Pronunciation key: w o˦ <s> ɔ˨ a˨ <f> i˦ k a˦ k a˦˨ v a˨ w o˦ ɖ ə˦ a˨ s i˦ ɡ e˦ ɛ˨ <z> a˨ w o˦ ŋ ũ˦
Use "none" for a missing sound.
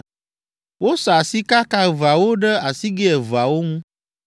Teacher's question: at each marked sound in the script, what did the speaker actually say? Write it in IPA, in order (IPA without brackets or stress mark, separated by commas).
s, s, v